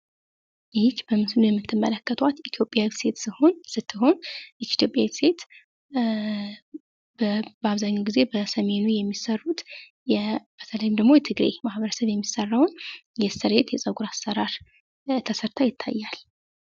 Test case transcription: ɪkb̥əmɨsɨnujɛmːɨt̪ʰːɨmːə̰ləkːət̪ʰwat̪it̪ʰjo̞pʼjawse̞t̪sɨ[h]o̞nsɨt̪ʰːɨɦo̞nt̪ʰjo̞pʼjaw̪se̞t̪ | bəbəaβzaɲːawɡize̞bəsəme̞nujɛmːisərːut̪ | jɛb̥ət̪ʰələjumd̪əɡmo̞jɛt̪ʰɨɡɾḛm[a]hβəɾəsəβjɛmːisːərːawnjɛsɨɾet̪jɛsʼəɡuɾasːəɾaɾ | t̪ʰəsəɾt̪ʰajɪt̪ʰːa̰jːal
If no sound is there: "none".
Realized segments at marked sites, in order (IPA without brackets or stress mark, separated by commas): h, a